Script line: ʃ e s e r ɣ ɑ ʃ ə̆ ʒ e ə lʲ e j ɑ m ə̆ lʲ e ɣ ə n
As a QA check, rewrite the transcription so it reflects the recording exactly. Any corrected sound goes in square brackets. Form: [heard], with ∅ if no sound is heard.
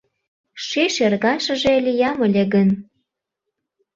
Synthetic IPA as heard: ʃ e [ʃ] e r ɣ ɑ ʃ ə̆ ʒ e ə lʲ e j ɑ m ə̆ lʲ e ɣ ə n